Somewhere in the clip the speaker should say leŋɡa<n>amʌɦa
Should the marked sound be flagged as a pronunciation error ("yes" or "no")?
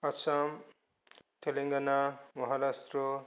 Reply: no